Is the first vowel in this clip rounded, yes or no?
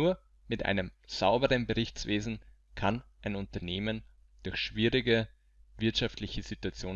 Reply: yes